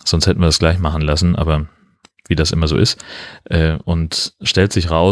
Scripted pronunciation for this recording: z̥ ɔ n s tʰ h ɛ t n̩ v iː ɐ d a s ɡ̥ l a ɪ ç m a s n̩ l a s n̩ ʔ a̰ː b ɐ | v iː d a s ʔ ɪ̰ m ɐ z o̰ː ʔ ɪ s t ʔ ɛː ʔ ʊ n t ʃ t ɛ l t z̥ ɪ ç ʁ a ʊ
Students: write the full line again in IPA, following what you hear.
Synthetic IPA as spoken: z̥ ɔ n s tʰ h ɛ t n̩ v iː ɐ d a s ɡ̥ l a ɪ ç m a χ n̩ l a s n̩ ʔ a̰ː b ɐ | v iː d a s ʔ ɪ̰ m ɐ z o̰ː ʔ ɪ s t ʔ ɛː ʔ ʊ n t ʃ t ɛ l t z̥ ɪ ç ʁ a ʊ